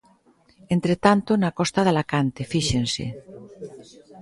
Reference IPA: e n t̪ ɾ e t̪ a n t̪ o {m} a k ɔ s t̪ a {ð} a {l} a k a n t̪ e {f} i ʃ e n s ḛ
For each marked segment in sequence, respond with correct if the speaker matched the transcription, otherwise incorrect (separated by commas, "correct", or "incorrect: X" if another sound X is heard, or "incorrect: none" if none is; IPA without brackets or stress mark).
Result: incorrect: n, correct, correct, correct